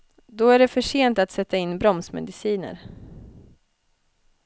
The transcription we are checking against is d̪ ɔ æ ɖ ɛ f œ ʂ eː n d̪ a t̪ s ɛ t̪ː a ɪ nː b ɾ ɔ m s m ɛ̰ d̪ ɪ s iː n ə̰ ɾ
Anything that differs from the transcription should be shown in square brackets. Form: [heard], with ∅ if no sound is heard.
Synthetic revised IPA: d̪ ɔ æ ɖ ɛ f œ ʂ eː n [t̪] a t̪ s ɛ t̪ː a ɪ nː b ɾ ɔ m s m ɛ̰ d̪ ɪ s iː n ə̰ ɾ